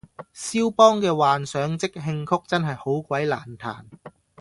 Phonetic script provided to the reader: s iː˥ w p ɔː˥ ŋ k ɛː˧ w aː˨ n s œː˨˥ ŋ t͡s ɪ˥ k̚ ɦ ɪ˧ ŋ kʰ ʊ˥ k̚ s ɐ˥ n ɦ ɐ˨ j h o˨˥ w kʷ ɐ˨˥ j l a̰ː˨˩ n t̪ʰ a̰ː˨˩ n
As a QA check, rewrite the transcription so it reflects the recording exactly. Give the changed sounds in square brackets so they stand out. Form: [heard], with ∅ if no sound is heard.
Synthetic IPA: s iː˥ w p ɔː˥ ŋ k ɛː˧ w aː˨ n s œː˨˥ ŋ t͡s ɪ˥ k̚ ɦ ɪ˧ ŋ kʰ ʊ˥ k̚ [t͡s] ɐ˥ n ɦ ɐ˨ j h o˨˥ w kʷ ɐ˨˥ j l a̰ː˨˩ n t̪ʰ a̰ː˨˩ n